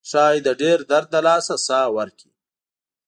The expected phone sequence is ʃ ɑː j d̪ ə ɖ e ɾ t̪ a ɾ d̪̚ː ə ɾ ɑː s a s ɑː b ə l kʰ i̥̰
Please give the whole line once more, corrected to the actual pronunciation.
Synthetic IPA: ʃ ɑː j d̪ ə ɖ e ɾ d̪ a ɾ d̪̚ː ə l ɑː s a s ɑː w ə ɾ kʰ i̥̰